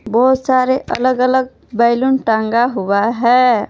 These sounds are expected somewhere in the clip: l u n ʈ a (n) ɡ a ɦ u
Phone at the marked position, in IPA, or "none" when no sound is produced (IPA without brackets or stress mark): ŋ